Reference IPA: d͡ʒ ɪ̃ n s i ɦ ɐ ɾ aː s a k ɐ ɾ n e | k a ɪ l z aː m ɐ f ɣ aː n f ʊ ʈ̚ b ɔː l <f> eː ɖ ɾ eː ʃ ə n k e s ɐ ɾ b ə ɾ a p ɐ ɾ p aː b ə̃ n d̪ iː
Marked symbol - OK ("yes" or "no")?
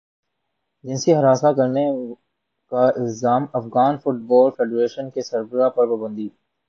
yes